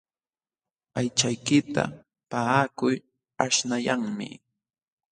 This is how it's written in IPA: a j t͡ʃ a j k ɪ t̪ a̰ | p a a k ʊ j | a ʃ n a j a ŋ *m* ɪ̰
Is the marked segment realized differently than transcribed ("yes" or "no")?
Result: no